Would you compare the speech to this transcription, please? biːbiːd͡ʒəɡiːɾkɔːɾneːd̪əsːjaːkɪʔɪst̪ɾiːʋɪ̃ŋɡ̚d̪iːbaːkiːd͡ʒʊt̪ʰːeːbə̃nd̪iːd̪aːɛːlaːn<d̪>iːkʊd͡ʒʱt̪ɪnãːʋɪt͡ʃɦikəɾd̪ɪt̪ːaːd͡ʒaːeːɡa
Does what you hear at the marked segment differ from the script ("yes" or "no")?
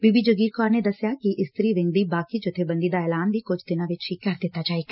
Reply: no